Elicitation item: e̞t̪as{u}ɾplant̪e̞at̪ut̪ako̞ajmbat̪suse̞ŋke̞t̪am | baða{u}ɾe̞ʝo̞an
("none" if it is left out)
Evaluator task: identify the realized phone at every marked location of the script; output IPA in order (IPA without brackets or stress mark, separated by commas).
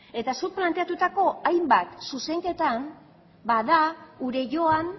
u, u